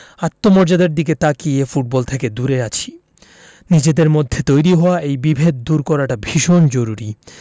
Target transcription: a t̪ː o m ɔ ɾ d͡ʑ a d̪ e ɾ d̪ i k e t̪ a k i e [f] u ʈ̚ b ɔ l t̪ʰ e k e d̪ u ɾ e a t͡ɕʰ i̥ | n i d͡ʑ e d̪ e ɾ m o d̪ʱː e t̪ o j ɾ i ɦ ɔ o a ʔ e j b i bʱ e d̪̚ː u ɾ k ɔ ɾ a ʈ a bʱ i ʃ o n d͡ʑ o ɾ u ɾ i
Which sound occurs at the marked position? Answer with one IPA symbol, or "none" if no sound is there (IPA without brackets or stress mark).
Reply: f